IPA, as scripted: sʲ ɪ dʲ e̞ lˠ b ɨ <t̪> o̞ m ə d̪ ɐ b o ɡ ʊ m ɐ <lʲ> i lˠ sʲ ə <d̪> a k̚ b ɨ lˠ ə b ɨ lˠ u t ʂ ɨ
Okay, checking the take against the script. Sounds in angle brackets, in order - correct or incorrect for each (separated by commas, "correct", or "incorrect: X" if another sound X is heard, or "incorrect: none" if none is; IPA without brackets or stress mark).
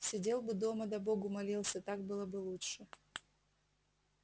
incorrect: d̪, correct, incorrect: t̪